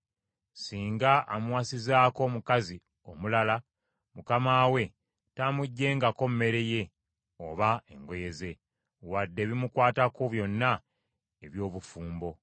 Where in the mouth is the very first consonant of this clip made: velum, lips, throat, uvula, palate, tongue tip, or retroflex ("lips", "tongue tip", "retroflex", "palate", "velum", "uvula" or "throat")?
tongue tip